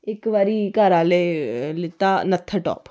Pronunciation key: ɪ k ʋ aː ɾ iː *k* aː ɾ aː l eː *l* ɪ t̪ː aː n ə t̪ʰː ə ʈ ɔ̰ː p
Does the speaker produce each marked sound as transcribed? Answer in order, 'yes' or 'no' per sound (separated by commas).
yes, yes